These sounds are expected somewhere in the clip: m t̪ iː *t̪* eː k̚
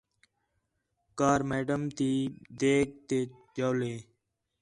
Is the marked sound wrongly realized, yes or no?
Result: yes